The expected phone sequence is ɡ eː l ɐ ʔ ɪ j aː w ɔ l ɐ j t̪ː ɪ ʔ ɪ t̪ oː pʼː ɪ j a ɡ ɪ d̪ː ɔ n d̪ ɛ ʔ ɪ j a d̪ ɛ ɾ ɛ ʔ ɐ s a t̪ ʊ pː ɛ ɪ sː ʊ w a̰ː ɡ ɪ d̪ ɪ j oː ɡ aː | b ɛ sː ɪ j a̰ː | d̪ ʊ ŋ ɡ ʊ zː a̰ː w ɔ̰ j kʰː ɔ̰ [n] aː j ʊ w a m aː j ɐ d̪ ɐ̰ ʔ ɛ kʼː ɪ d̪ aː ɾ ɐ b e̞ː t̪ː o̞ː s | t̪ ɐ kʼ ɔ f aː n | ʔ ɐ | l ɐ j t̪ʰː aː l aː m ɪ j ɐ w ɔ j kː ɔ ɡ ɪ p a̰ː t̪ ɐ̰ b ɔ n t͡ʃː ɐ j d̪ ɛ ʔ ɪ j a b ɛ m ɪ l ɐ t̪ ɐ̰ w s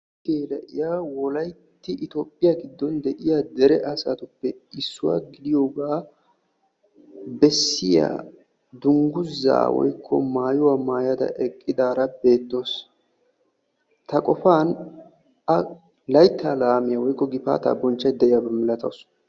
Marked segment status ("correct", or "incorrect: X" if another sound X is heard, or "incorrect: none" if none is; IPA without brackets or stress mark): incorrect: m